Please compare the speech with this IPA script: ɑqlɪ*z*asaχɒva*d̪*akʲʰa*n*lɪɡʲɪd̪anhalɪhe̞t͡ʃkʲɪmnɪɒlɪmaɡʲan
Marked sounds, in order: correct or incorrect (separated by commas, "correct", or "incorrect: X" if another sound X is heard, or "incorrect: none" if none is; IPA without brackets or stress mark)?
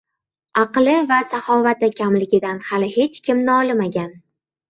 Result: incorrect: v, incorrect: t̪, incorrect: m